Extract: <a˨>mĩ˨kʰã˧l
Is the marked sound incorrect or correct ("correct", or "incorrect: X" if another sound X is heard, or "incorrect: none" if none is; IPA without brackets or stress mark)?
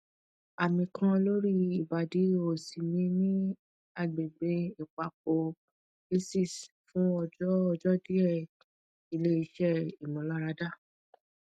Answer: correct